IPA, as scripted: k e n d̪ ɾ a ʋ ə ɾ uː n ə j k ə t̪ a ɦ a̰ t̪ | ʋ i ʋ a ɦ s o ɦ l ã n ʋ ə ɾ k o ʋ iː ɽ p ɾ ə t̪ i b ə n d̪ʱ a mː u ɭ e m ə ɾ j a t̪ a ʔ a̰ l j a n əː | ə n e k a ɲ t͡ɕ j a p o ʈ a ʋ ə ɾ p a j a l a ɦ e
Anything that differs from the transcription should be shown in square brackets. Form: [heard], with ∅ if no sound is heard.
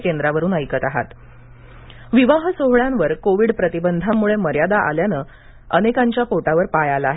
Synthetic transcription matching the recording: k e n d̪ ɾ a ʋ ə ɾ uː n ə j k ə t̪ a ɦ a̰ t̪ | ʋ i ʋ a ɦ s o ɦ [ɭ] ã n ʋ ə ɾ k o ʋ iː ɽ p ɾ ə t̪ i b ə n d̪ʱ a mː u ɭ e m ə ɾ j a [d̪] a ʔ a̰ l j a n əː | ə n e k a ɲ t͡ɕ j a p o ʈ a ʋ ə ɾ p a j a l a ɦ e